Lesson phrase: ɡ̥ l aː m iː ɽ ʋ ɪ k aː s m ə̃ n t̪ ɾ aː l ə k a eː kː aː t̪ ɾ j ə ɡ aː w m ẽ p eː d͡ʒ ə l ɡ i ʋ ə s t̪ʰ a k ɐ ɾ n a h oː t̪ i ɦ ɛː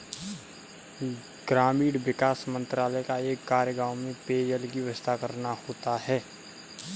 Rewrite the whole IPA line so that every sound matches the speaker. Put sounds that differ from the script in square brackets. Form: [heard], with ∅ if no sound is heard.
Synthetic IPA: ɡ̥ [ɾ] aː m iː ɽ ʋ ɪ k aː s m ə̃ n t̪ ɾ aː l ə k a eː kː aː [∅] ɾ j ə ɡ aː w m ẽ p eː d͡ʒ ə l ɡ i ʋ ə s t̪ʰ a k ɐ ɾ n a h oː t̪ [a] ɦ ɛː